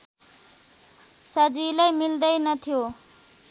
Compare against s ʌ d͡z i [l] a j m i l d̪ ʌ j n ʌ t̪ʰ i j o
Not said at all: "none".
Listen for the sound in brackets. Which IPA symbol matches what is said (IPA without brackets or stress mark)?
l